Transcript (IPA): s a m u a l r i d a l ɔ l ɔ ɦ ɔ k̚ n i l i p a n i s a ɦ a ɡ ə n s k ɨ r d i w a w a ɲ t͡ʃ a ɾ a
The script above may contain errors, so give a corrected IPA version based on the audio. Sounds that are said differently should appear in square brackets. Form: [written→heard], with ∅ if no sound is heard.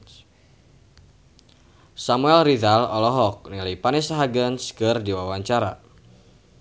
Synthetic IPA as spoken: s a m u [a→ɛ] l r i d a l ɔ l ɔ ɦ ɔ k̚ n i l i p a n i s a ɦ a ɡ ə n s k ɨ r d i w a w a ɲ t͡ʃ a ɾ a